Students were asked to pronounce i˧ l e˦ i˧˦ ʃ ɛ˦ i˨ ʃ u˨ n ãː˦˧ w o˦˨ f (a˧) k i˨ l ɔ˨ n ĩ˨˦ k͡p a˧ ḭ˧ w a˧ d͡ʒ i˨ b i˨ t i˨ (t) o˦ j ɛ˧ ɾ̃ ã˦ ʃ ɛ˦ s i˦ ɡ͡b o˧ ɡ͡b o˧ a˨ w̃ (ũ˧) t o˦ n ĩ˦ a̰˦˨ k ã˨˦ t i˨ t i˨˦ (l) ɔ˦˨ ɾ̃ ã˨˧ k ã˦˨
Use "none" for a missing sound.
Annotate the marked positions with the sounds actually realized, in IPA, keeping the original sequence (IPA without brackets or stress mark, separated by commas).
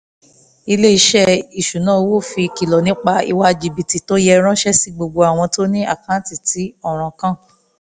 i˧, t, ɔ̃˧, none